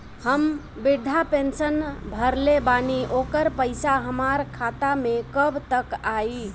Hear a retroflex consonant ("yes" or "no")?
no